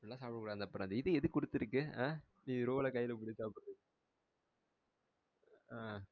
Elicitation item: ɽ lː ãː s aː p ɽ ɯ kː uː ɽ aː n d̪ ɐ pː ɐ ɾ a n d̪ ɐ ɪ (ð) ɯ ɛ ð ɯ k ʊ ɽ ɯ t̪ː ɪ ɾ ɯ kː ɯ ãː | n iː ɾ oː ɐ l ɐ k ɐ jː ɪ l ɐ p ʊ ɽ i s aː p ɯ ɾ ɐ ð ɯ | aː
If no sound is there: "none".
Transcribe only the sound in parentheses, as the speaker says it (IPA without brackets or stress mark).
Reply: ð